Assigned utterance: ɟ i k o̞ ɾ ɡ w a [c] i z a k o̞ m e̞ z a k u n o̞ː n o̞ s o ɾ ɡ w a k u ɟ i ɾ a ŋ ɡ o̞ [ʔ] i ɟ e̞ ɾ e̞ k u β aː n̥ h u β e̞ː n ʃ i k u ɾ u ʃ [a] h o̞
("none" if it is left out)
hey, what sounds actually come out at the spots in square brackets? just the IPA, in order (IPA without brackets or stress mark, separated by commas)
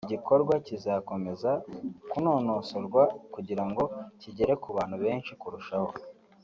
c, c, a